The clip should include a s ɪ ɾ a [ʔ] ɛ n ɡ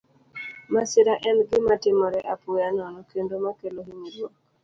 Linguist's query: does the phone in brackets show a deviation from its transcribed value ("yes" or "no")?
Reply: no